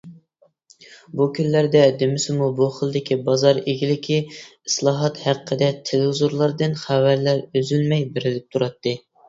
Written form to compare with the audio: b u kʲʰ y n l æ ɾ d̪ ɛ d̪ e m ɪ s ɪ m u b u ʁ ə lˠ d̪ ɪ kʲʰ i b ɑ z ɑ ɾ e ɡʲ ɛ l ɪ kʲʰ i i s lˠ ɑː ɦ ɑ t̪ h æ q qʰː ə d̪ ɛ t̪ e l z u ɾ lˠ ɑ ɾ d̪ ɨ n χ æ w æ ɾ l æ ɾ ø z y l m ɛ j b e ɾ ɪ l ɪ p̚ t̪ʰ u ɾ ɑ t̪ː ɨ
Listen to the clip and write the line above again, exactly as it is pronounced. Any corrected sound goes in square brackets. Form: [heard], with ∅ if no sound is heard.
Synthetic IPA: b u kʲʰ y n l æ ɾ d̪ ɛ d̪ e m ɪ s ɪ m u b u [χ] ə lˠ d̪ ɪ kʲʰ i b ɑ z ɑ ɾ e ɡʲ [i] l ɪ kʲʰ i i s lˠ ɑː ɦ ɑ t̪ h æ q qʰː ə d̪ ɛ [t̪ʰ] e l z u ɾ lˠ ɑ ɾ d̪ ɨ n χ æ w æ ɾ l æ ɾ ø z y l m ɛ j b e ɾ ɪ l ɪ p̚ t̪ʰ u ɾ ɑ t̪ː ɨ